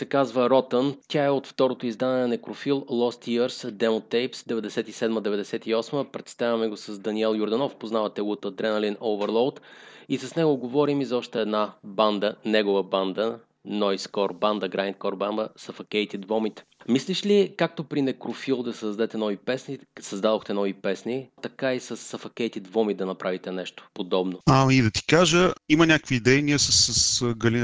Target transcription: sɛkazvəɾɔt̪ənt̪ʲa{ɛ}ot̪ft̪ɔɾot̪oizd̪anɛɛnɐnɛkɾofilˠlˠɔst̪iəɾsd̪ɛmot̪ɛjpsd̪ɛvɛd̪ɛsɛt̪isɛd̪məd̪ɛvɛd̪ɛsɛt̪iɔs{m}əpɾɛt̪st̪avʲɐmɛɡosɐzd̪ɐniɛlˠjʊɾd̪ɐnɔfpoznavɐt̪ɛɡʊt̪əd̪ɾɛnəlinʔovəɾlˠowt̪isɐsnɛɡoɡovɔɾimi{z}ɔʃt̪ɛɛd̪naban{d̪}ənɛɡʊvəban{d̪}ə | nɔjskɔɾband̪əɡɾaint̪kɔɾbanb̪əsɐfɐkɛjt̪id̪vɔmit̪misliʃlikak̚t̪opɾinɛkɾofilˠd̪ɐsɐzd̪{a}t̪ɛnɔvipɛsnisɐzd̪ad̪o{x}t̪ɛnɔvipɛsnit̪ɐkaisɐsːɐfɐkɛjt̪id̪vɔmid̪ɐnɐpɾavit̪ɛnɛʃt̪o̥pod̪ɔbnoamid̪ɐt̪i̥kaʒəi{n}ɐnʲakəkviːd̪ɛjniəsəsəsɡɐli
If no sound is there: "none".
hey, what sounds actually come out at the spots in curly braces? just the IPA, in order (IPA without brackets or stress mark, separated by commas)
ɛ, m, z, d̪, d̪, ɛ, x, m